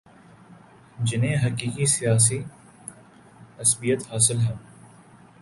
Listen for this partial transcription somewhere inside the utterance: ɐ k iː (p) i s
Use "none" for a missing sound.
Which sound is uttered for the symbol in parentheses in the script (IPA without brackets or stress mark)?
k